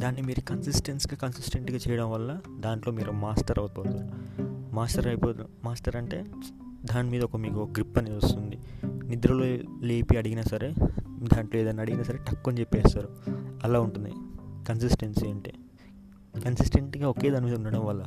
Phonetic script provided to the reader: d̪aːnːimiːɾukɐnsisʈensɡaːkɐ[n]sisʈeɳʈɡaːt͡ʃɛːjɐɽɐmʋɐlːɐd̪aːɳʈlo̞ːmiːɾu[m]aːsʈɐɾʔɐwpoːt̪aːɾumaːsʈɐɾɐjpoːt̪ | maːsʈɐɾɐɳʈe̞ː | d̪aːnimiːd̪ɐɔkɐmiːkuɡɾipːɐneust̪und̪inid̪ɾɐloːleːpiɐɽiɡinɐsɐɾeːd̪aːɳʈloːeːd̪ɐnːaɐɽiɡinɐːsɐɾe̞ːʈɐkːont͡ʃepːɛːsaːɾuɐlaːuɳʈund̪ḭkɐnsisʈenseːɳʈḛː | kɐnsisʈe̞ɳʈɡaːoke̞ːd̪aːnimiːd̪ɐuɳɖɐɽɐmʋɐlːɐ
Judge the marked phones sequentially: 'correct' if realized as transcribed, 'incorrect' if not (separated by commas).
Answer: correct, correct